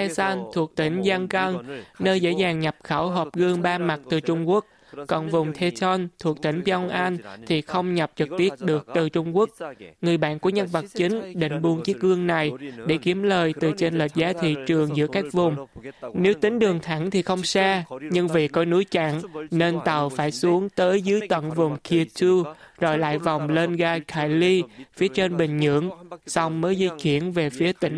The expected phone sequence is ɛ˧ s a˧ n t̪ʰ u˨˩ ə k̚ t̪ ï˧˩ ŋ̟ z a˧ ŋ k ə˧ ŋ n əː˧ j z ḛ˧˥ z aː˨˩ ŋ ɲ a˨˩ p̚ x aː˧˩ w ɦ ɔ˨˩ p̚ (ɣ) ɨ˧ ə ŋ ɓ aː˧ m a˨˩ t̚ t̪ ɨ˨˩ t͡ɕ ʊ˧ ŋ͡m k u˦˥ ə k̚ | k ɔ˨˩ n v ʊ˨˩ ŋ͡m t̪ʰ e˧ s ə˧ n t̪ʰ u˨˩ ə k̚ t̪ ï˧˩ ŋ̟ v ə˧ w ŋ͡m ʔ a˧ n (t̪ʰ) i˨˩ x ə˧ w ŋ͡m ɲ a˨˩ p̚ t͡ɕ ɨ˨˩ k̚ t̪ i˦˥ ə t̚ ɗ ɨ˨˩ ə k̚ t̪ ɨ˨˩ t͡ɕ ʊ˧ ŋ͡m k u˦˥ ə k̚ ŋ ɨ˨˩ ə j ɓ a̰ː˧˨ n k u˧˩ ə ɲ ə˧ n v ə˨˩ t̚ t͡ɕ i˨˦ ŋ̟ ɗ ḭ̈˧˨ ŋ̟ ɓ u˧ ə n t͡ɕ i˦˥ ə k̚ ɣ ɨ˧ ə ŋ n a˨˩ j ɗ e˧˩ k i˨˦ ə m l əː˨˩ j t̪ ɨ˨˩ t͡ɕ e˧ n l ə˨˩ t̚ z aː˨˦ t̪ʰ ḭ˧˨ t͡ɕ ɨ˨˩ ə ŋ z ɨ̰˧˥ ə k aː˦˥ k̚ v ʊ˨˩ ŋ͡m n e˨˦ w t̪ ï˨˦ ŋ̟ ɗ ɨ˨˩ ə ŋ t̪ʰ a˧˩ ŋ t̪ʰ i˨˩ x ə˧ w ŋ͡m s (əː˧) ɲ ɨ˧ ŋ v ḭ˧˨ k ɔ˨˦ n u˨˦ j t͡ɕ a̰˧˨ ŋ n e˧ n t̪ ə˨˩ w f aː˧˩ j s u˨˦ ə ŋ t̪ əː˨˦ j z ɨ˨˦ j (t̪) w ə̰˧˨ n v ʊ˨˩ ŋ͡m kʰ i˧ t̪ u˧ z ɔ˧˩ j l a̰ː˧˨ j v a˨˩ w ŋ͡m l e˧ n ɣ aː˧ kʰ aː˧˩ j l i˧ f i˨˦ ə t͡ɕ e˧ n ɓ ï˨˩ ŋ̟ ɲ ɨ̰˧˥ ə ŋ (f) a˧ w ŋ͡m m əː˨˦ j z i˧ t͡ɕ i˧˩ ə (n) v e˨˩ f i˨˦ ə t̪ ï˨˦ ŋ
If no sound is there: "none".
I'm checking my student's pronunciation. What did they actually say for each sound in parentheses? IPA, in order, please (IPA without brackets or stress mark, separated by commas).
ɣ, t̪ʰ, aː˧, t̪, s, n